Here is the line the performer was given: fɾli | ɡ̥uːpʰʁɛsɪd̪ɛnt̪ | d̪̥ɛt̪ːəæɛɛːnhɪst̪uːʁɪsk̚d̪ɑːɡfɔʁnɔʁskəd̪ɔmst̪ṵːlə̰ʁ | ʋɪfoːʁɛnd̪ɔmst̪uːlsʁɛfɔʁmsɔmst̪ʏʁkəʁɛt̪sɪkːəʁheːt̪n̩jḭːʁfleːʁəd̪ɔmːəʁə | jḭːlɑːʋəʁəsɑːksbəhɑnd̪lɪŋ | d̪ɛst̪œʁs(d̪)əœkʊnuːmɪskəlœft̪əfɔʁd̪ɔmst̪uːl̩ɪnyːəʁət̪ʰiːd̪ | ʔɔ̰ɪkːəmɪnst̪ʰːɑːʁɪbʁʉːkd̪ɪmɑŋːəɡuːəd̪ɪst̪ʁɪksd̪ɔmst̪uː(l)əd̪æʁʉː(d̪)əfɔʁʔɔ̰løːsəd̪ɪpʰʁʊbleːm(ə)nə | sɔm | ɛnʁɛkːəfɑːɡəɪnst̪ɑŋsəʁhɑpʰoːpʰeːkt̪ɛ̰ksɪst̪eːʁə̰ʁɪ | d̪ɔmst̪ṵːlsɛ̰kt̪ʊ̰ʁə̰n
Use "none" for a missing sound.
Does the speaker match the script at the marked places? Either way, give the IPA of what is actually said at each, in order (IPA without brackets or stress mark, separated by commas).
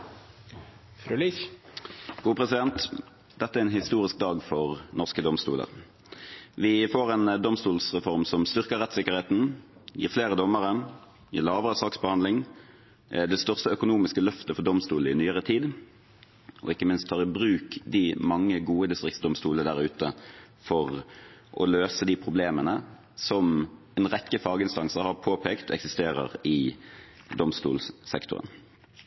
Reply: t̪, l, t̪, ə